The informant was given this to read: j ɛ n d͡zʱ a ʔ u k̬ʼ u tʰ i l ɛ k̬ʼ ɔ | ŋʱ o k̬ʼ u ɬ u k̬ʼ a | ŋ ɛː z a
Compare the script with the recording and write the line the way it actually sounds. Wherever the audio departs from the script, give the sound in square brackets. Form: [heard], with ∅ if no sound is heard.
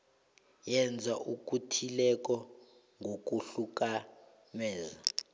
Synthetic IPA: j ɛ n d͡zʱ a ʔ u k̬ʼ u tʰ i l ɛ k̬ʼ ɔ | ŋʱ o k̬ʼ u ɬ u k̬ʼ a | [m] ɛː z a